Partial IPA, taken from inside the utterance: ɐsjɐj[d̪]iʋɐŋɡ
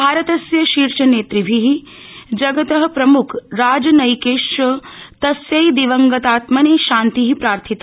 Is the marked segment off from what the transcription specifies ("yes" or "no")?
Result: no